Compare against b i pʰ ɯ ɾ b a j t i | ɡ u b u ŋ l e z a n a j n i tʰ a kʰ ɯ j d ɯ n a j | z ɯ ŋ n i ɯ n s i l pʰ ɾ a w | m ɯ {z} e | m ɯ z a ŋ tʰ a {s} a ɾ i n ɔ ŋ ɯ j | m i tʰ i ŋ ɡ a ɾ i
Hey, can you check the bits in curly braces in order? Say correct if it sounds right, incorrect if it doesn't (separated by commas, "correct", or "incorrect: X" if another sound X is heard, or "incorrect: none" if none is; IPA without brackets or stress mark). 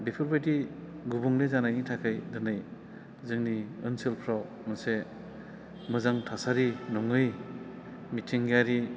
incorrect: s, correct